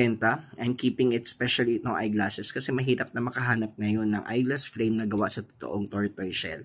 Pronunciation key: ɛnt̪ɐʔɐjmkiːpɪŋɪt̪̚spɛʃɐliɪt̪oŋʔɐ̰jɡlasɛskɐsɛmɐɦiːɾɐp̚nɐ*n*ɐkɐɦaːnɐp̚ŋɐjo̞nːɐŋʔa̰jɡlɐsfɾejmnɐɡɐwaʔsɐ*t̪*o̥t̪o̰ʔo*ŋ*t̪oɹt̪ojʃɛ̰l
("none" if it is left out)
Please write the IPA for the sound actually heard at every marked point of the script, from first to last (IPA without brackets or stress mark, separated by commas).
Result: m, t̪, ŋ